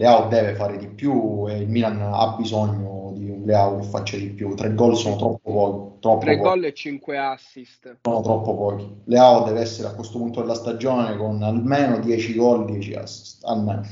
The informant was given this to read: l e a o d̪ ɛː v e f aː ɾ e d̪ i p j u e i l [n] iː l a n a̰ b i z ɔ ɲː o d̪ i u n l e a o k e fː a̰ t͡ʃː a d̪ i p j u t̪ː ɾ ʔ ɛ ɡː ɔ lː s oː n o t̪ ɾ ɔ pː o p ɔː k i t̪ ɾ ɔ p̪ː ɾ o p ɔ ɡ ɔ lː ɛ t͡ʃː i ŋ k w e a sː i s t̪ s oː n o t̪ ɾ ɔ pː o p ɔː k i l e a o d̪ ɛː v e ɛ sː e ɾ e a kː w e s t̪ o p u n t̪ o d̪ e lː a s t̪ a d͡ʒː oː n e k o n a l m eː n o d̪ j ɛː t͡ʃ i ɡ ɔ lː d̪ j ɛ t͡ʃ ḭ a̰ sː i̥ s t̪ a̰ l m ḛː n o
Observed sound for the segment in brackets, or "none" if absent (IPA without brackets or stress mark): m